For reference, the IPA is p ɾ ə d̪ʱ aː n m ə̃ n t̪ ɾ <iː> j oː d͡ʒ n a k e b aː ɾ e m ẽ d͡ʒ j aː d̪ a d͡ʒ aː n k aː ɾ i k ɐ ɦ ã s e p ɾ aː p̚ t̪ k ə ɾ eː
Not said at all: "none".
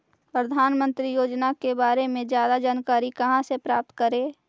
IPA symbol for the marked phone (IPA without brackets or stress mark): i